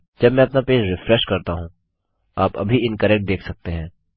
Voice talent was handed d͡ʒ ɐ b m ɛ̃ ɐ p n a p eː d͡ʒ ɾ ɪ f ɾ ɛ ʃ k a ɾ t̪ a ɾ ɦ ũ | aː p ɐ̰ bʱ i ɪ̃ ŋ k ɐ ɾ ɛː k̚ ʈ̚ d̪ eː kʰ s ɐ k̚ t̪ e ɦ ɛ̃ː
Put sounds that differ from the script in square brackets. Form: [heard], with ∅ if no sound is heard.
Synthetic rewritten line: d͡ʒ ɐ b m ɛ̃ ɐ p n a p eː d͡ʒ ɾ ɪ f ɾ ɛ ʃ k [ɐ] ɾ t̪ a [∅] ɦ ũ | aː p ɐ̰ bʱ i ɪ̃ [n] k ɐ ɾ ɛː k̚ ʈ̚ d̪ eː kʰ s ɐ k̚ t̪ e ɦ ɛ̃ː